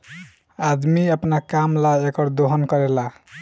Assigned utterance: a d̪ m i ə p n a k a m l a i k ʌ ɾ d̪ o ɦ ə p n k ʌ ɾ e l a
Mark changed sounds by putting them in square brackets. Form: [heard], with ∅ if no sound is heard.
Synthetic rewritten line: a d̪ m i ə p n a k a m l a [e] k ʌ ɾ d̪ o ɦ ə [∅] n k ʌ ɾ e l a